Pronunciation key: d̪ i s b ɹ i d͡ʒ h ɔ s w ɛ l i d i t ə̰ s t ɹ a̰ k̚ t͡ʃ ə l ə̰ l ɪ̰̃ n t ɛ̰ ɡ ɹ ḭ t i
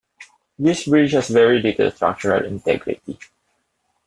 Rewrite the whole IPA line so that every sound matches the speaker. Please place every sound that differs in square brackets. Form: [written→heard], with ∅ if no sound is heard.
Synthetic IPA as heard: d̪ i s b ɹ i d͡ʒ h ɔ s [w→v] ɛ [l→ɹ] i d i t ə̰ s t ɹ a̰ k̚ t͡ʃ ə [l→ɹ] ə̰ l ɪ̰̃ n t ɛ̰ ɡ ɹ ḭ t i